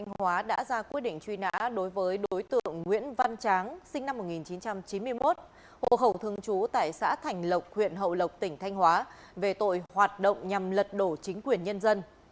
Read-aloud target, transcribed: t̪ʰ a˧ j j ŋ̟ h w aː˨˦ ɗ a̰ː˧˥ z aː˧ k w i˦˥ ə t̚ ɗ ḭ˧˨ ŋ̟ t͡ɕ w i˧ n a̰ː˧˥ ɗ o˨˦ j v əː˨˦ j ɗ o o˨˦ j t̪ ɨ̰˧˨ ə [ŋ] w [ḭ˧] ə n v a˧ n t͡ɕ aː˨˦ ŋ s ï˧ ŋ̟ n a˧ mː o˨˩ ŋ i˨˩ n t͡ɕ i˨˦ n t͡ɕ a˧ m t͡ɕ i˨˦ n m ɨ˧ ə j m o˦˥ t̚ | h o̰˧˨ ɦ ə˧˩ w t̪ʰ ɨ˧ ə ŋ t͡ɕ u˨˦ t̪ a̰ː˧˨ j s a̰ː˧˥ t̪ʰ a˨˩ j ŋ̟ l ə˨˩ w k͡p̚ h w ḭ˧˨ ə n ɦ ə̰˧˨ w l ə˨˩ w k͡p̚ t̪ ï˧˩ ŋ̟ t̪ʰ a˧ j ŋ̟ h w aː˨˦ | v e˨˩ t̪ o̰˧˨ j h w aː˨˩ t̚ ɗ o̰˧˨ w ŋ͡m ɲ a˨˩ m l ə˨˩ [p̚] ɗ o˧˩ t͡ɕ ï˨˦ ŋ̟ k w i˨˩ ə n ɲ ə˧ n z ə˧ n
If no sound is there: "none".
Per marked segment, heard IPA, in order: ŋː, ḭ˧˥, t̚

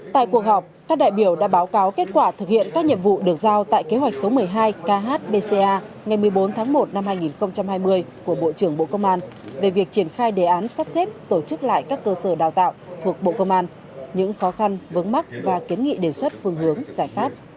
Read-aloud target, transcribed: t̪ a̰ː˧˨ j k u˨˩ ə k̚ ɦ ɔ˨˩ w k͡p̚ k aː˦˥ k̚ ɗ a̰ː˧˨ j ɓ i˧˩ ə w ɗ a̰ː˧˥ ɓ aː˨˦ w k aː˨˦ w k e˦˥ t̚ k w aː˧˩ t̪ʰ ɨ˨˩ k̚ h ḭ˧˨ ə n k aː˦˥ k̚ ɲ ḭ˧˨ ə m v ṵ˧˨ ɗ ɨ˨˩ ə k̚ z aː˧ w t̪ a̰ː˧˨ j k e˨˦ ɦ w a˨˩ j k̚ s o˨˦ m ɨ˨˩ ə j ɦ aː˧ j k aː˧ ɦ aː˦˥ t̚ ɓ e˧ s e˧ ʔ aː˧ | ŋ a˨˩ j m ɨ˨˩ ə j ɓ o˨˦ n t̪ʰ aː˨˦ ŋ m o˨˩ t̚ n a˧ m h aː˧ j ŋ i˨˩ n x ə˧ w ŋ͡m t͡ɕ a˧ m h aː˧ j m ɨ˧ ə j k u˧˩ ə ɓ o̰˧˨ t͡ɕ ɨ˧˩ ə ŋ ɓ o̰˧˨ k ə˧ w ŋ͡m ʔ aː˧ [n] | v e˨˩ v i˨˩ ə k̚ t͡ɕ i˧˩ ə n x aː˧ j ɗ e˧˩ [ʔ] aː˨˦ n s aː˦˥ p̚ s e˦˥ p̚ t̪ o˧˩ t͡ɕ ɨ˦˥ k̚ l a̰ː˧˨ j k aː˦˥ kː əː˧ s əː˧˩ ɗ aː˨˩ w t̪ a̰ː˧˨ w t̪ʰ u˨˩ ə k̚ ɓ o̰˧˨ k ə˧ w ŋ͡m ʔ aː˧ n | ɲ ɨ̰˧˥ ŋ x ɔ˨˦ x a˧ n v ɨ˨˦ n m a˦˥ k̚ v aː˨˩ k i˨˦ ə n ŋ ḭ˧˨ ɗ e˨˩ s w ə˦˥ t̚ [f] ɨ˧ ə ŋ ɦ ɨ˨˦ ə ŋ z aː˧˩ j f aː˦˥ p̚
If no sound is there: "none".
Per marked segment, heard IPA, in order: n, ʔ, f

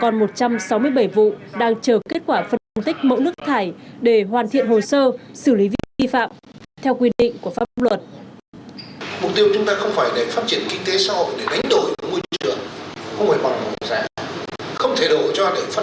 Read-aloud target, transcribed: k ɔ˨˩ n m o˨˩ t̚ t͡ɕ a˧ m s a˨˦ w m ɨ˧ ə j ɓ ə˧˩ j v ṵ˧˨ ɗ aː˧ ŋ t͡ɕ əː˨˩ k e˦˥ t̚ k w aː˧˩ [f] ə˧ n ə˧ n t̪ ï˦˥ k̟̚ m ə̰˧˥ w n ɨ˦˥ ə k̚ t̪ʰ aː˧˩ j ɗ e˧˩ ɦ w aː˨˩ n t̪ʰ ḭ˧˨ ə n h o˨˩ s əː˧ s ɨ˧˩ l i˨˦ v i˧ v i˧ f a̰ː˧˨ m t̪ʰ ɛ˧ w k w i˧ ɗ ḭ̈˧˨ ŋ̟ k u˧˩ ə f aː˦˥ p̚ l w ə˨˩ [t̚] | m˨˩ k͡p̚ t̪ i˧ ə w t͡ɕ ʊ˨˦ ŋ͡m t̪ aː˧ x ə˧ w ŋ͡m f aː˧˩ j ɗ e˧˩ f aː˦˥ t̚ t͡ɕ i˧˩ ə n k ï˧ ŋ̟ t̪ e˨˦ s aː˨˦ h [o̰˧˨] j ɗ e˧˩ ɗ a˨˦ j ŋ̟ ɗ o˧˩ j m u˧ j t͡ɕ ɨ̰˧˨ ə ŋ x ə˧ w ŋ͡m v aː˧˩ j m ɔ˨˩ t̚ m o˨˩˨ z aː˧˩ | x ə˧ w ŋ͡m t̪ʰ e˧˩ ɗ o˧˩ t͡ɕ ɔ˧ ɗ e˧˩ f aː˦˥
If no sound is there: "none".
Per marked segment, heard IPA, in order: f, t̚, o̰˧˨

